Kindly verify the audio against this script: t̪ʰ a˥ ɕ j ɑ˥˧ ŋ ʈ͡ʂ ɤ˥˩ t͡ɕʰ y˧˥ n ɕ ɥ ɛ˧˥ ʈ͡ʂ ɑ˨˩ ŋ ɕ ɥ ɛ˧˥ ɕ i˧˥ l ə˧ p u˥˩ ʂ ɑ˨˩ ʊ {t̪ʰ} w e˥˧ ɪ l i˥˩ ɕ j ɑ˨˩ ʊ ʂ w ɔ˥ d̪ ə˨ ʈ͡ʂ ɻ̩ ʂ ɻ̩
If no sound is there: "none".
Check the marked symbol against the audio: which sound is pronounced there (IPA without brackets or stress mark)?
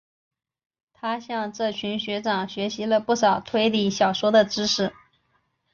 t̪ʰ